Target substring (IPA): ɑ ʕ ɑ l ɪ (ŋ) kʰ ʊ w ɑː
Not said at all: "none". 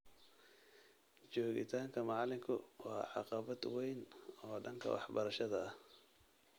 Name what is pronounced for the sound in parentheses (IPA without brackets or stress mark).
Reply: ŋ